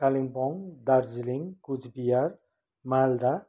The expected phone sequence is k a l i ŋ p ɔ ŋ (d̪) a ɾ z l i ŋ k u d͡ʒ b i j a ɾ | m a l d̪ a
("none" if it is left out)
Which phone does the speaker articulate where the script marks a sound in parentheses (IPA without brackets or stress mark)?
d̪